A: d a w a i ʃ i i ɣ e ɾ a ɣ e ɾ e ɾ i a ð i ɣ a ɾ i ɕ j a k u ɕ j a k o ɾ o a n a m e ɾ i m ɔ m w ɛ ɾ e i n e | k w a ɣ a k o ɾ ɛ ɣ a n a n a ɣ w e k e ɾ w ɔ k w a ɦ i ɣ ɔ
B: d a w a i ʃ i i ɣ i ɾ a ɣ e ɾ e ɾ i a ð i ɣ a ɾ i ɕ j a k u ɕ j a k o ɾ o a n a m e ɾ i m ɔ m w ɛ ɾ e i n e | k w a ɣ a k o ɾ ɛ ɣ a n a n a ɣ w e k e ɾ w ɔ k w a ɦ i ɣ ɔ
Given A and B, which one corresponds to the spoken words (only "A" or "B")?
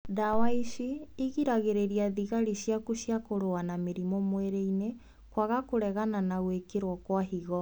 B